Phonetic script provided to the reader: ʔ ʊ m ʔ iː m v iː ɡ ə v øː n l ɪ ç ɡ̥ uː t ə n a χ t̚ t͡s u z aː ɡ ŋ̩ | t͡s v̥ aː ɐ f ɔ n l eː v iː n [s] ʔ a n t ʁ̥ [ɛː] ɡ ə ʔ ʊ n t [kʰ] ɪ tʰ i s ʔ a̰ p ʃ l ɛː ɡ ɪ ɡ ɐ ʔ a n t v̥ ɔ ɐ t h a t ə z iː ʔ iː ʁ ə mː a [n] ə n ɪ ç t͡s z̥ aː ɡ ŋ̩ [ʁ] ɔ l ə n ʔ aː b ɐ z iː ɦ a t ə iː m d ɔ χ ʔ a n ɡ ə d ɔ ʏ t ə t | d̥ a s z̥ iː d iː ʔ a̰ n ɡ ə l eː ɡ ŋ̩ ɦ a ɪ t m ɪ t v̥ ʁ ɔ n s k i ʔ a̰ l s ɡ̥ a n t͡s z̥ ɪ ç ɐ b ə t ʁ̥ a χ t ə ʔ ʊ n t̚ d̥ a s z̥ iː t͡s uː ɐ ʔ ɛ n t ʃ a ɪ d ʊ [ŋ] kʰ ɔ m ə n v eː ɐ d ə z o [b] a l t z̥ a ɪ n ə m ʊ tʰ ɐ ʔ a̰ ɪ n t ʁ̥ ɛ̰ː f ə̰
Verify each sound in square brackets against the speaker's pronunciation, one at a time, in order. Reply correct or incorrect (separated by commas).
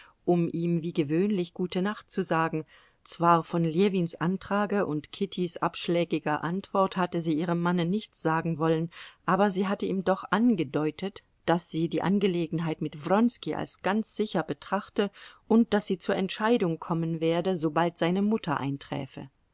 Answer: correct, incorrect, correct, correct, incorrect, correct, correct